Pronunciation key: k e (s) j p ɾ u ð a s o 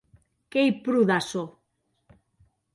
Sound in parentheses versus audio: incorrect: none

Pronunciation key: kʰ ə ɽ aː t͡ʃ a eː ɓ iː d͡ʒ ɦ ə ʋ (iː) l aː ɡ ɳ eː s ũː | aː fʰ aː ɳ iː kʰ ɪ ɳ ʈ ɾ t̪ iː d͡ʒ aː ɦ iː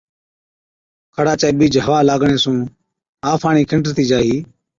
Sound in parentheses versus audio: incorrect: aː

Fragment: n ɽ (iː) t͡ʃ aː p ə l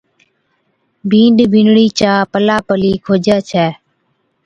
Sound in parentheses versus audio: correct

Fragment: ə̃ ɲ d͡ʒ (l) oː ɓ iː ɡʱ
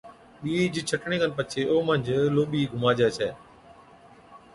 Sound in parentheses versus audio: correct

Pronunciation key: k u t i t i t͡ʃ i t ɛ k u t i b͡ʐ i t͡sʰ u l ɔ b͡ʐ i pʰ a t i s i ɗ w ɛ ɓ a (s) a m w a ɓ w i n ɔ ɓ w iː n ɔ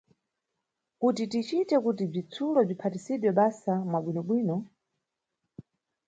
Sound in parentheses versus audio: correct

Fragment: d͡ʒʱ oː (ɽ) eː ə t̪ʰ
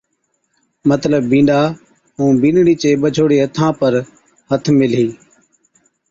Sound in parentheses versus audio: correct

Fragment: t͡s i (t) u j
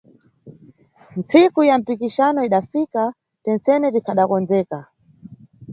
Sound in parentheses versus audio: incorrect: k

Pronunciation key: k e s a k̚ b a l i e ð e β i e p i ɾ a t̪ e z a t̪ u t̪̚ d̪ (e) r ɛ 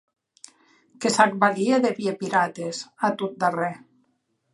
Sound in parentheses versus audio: incorrect: a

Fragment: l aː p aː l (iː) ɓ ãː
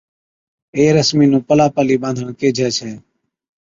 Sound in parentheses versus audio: correct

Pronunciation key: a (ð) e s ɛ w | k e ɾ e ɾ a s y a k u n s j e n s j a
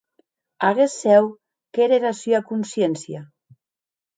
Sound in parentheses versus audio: incorrect: ɣ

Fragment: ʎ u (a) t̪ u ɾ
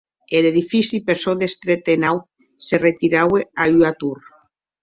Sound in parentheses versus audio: correct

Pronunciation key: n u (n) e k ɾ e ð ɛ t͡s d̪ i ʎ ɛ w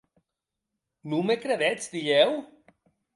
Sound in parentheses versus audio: incorrect: m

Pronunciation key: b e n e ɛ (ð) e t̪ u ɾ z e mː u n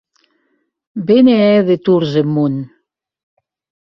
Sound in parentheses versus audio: correct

